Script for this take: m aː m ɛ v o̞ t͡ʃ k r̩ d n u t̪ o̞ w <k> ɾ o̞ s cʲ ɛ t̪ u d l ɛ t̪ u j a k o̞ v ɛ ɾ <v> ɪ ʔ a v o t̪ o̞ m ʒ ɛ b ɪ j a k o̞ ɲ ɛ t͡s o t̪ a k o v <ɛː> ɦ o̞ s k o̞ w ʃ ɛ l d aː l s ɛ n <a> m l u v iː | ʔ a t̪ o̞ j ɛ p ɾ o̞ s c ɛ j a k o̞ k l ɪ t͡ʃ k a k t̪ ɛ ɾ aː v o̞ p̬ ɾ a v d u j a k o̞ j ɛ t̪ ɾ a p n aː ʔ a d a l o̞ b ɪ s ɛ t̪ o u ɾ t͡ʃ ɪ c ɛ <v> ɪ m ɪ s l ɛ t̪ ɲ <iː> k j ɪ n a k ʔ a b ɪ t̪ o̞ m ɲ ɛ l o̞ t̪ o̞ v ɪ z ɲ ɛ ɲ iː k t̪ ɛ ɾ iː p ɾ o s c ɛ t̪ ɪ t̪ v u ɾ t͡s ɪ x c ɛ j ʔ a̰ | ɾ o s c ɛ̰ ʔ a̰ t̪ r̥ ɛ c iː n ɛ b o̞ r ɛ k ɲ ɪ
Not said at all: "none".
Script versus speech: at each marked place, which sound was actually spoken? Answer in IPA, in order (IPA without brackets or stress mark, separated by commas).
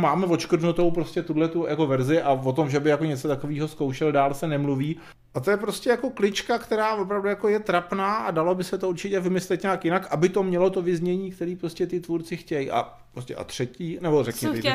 p, z, iː, ɛ, v, aː